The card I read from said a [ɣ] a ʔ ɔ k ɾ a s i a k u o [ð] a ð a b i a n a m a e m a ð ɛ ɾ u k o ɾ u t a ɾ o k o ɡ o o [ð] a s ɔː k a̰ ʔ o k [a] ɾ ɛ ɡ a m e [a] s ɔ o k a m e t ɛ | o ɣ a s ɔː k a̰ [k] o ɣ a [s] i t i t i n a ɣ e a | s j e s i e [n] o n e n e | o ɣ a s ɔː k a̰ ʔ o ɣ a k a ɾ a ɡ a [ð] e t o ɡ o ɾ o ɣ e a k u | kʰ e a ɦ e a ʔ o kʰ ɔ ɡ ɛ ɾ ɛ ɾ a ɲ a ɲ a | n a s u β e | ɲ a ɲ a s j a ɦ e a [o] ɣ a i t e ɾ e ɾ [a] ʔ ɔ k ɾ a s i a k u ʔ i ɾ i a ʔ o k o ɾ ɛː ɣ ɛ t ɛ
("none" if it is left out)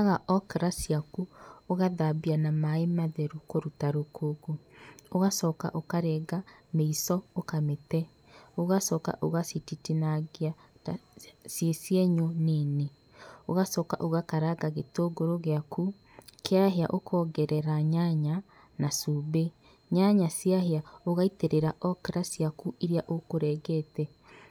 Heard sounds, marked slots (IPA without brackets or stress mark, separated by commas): ɣ, ɣ, ɣ, a, i, ʔ, s, ɲ, ɣ, o, a